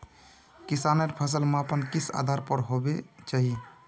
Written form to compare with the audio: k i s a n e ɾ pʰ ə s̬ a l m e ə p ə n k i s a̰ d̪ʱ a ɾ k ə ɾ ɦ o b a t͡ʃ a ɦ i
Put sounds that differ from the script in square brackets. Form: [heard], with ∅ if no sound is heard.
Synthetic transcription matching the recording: k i s a n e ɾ pʰ ə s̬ [ə] l m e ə p ə n k i s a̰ d̪ʱ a ɾ [p] ə ɾ ɦ o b [e] t͡ʃ a ɦ i